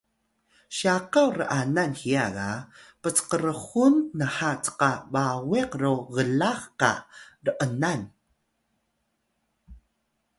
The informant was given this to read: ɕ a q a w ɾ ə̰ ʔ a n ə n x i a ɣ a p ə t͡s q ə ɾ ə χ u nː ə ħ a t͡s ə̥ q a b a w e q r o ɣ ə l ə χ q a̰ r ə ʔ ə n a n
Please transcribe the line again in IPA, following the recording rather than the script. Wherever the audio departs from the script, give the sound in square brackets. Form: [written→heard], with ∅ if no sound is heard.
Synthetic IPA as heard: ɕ a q a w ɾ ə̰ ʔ a n [ə→a] n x i a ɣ a p ə t͡s q ə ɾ ə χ u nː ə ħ a t͡s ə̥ q a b a w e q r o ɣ ə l [ə→a] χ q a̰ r ə ʔ ə n a n